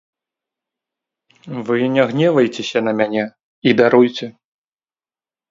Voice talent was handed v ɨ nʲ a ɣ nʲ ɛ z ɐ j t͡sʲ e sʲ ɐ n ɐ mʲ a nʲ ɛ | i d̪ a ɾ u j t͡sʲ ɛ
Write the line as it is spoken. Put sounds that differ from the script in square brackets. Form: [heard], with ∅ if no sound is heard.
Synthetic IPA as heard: v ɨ nʲ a ɣ nʲ ɛ [v] ɐ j t͡sʲ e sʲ ɐ n ɐ mʲ a nʲ ɛ | i d̪ a ɾ u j t͡sʲ ɛ